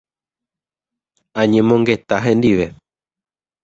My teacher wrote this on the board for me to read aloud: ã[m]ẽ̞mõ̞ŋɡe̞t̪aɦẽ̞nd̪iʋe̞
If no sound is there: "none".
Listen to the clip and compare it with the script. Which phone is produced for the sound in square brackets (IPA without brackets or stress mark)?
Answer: ɲ